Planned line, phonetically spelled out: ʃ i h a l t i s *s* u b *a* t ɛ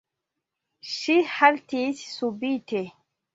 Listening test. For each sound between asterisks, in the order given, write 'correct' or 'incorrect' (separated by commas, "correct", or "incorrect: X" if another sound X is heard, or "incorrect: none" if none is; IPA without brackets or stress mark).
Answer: correct, incorrect: i